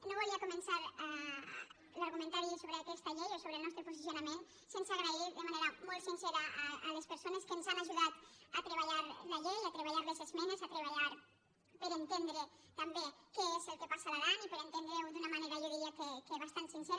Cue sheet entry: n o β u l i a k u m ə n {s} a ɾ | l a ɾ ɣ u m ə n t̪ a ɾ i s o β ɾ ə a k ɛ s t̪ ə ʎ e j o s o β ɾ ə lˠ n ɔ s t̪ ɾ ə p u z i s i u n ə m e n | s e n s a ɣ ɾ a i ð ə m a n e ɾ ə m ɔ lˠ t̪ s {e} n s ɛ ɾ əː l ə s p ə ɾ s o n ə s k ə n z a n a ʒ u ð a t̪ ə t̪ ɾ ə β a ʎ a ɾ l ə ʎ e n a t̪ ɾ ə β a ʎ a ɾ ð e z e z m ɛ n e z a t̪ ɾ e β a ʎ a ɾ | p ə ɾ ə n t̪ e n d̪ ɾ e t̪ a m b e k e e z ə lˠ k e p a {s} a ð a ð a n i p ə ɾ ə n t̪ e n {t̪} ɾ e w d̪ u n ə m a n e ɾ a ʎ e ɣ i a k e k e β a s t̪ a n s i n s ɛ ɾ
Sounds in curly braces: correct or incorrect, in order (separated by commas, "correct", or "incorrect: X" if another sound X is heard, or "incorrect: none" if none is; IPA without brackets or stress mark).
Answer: correct, incorrect: i, correct, incorrect: d̪